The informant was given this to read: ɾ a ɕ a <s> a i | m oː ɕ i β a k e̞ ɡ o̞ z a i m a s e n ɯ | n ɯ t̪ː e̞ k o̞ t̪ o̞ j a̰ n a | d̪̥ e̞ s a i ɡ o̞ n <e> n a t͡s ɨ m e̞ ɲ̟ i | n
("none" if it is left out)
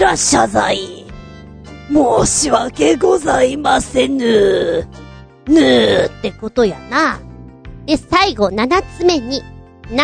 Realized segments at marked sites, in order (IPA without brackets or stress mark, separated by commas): z, a